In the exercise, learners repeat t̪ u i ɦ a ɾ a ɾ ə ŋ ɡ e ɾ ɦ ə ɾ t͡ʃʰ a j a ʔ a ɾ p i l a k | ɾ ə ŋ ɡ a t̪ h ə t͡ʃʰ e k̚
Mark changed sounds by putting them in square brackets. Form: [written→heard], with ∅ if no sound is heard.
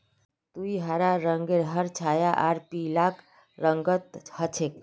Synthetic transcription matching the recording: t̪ u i ɦ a ɾ a ɾ ə ŋ ɡ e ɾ ɦ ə ɾ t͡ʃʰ a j a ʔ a ɾ p i l a k | ɾ ə ŋ ɡ [a→ə] t̪ h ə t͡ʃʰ e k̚